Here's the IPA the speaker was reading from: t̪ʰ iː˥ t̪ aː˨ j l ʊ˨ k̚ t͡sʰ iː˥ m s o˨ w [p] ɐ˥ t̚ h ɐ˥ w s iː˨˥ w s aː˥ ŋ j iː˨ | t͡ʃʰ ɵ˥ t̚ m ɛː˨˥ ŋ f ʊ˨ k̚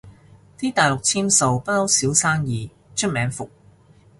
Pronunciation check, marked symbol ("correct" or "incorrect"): correct